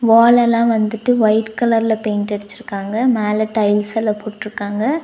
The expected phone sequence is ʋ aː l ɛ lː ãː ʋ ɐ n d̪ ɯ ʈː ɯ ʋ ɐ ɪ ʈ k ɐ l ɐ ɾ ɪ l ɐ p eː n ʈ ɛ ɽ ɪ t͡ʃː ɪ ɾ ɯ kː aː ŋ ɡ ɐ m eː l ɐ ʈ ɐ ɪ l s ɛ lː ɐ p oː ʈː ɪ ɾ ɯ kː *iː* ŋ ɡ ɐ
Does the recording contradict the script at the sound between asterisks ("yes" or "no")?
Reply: yes